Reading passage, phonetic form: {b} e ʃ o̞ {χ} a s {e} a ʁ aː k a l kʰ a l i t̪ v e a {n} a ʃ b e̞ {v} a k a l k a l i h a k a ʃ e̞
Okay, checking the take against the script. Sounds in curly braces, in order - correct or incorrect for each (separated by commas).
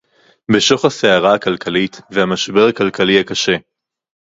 correct, correct, correct, incorrect, incorrect